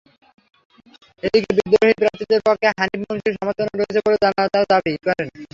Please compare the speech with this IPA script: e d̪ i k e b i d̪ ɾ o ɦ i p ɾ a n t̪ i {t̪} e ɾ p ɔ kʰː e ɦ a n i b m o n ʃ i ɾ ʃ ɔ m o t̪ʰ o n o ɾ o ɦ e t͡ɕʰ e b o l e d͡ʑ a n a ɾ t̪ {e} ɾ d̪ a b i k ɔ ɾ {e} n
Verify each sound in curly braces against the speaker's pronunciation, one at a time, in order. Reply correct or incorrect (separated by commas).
incorrect, incorrect, correct